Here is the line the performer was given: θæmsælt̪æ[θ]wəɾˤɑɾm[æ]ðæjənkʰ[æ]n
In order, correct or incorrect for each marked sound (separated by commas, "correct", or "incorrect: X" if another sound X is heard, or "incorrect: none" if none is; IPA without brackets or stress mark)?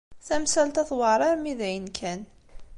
correct, incorrect: i, correct